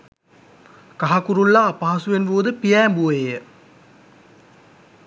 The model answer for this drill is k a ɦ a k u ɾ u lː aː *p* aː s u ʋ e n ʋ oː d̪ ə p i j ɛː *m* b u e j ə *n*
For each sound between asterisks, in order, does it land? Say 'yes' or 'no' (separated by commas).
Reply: yes, yes, no